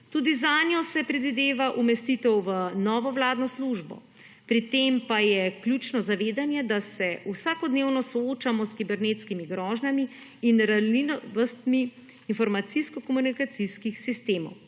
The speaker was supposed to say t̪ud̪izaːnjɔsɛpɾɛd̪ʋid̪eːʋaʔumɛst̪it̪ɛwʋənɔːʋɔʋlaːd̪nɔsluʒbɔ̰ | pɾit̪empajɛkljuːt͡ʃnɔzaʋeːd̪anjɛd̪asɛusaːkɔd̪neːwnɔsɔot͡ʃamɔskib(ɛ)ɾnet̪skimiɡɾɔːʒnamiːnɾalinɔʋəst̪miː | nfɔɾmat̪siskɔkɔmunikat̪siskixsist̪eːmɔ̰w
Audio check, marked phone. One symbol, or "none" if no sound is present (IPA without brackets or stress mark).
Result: ɛ